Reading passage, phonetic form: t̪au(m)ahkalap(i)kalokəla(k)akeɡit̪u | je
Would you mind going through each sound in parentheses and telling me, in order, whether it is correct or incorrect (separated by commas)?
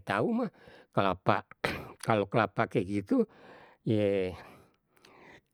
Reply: correct, incorrect, incorrect